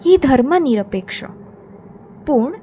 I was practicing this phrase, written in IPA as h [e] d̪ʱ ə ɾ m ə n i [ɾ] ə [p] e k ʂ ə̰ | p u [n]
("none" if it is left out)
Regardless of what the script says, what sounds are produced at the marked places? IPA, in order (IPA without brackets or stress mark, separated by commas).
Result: i, ɾ, p, ɳ